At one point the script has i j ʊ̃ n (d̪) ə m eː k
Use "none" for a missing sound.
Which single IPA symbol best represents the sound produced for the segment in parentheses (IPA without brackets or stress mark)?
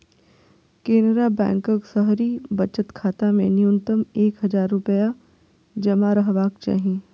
t̪